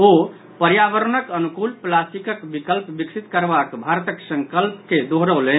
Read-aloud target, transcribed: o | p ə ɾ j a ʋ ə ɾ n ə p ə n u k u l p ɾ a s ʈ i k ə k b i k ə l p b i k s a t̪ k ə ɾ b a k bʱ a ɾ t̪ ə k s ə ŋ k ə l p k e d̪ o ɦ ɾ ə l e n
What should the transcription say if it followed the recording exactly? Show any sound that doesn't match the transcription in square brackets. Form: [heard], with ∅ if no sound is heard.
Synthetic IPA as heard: o | p ə ɾ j a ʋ ə ɾ n ə [k] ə n u k u l p [l] a s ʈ i k ə k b i k ə l p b i k s [i] t̪ k ə ɾ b a k bʱ a ɾ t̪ ə k s ə ŋ k ə l p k e d̪ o ɦ ɾ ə l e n